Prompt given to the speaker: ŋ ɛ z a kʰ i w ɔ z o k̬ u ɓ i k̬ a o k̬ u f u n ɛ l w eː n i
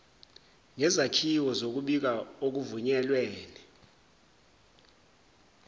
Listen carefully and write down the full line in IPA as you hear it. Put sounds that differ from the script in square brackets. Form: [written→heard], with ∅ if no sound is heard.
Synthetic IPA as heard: ŋ ɛ z a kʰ i w ɔ z o k̬ u ɓ i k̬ a o k̬ u [f→v] u [n→ɲ] ɛ l w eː n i